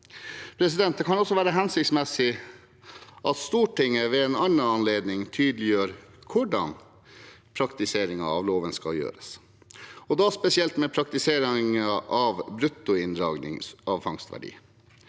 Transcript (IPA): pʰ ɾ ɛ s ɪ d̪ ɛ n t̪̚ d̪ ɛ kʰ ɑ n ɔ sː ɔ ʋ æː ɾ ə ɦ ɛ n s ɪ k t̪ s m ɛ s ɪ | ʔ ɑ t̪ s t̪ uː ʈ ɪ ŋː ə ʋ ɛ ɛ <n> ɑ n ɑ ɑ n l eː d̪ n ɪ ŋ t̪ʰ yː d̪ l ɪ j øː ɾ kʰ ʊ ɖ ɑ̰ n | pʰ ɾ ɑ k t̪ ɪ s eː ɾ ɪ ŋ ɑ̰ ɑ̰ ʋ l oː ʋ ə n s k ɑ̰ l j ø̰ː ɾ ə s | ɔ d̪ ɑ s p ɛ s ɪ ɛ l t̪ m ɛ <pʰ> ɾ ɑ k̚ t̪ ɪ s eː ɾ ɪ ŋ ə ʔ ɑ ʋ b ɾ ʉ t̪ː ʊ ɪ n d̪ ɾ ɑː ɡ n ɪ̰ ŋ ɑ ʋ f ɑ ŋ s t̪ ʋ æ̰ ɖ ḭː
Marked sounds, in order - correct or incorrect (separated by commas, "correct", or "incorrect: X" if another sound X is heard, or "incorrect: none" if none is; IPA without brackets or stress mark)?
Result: correct, correct